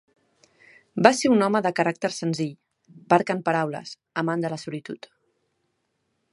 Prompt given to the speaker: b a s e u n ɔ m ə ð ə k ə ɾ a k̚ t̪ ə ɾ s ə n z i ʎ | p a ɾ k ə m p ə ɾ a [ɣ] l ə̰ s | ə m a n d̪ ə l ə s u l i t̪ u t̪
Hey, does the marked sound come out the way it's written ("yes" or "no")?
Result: no